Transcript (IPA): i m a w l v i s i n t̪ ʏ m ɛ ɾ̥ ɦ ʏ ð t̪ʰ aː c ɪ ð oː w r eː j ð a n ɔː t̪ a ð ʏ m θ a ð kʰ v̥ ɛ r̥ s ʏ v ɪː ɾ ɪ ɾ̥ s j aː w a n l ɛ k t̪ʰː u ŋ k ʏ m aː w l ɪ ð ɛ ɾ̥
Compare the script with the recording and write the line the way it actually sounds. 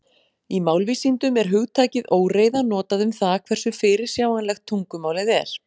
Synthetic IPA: i m a w l v i s i n t̪ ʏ m ɛ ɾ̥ ɦ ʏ ɣ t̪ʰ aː c ɪ ð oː w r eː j ð a n ɔː t̪ a ð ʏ m θ a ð kʰ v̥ ɛ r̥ s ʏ f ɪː ɾ ɪ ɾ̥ s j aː w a n l ɛ x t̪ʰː u ŋ k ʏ m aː w l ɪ ð ɛ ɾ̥